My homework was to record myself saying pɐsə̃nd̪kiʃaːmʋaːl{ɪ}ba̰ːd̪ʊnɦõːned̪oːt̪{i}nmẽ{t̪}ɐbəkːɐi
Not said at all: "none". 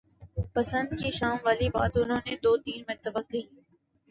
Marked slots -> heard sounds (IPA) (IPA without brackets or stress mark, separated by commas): i, iː, t̪